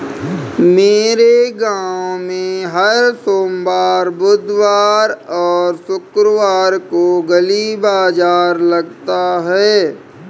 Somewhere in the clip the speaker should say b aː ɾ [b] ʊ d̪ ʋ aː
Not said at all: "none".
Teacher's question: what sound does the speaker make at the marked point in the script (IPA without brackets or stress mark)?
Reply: b